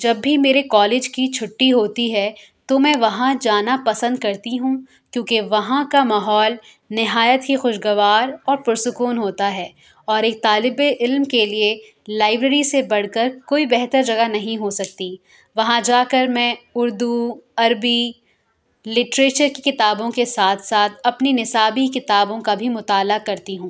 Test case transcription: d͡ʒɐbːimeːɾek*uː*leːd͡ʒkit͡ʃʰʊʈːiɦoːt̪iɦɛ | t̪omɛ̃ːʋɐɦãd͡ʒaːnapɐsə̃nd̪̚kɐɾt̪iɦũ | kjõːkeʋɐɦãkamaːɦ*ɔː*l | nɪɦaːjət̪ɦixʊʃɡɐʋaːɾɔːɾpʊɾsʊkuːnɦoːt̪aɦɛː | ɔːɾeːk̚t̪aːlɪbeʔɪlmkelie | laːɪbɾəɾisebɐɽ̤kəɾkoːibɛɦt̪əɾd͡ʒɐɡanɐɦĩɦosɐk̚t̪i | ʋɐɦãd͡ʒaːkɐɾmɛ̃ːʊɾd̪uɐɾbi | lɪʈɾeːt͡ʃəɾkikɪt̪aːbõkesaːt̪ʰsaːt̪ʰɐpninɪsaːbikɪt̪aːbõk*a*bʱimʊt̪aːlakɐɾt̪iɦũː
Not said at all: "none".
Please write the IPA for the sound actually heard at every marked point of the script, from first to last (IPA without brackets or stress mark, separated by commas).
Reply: ɔː, ɔː, a